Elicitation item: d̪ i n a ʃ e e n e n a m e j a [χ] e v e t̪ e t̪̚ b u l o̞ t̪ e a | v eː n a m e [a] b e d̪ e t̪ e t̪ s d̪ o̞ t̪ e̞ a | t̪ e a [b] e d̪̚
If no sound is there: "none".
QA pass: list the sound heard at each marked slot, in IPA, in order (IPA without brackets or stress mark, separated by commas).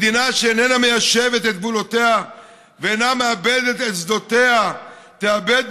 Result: ʃ, a, b